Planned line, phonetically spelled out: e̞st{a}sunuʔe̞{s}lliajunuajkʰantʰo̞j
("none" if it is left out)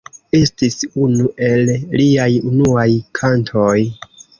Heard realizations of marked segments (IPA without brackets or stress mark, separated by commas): i, none